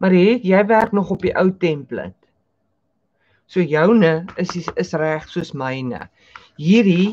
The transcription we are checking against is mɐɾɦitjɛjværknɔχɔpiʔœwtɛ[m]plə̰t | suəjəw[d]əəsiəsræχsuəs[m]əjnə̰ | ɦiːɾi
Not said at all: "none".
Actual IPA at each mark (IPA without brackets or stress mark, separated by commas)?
m, n, m